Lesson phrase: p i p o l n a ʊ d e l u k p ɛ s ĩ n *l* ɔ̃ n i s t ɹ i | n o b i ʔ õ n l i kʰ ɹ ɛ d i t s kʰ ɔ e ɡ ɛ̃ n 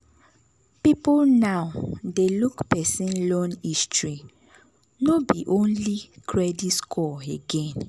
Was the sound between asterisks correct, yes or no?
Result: yes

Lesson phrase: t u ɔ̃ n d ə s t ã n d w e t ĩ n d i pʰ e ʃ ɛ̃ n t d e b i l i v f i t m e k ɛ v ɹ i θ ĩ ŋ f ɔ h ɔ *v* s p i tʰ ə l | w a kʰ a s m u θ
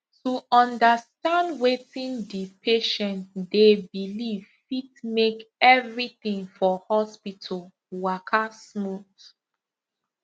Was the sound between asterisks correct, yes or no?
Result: no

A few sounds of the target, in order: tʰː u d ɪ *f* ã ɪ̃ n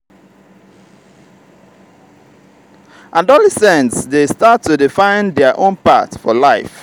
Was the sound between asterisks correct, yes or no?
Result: yes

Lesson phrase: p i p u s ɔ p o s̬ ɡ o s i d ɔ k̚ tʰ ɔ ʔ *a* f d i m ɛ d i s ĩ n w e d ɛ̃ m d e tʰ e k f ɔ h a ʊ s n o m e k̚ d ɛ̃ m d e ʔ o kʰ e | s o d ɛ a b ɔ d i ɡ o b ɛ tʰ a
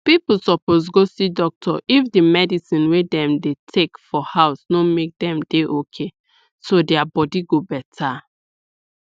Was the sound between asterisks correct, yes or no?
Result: no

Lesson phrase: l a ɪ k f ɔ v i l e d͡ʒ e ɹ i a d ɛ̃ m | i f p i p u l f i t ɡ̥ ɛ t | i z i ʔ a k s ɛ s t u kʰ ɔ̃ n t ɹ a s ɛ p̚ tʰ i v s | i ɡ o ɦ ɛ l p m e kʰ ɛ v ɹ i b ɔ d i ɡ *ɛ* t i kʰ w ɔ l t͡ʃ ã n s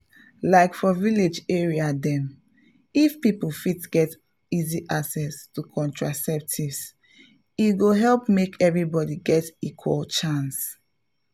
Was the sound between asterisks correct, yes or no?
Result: yes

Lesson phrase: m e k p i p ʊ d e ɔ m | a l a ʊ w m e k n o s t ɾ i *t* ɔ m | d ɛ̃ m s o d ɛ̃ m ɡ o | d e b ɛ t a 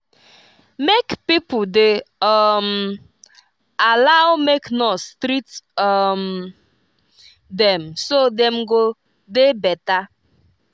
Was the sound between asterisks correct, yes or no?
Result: yes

